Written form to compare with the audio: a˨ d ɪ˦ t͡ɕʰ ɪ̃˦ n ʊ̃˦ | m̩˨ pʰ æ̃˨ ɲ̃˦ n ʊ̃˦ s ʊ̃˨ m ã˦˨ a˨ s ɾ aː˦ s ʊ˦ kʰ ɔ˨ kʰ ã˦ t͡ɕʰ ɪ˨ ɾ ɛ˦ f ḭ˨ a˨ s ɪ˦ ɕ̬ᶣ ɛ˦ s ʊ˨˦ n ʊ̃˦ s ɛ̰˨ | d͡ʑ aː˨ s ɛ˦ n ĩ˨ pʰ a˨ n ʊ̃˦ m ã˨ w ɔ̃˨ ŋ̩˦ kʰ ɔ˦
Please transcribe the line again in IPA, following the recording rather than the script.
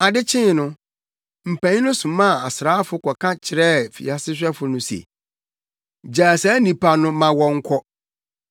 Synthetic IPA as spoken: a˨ d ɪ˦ t͡ɕʰ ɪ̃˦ n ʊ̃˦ | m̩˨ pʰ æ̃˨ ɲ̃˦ n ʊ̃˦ s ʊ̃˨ m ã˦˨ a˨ s ɾ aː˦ f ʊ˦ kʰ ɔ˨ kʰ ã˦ t͡ɕʰ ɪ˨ ɾ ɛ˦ f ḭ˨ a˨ s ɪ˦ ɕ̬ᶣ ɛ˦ f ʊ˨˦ n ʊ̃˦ s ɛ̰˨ | d͡ʑ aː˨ s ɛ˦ n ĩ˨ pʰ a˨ n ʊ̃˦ m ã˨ w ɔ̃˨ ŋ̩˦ kʰ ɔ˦